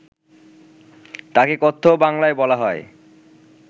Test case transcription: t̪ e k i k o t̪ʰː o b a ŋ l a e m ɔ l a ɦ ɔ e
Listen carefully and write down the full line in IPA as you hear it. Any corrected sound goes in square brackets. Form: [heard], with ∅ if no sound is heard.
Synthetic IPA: t̪ [a] k [e] k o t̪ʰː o b a ŋ l a e [b] ɔ l a ɦ ɔ e